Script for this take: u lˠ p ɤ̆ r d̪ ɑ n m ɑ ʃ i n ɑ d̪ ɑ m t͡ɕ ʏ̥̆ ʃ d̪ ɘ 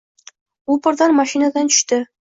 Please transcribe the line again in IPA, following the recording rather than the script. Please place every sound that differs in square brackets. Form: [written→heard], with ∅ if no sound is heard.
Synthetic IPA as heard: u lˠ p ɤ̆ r d̪ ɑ n m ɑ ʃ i n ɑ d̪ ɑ [m→n] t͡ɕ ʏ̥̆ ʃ [d̪→t̪] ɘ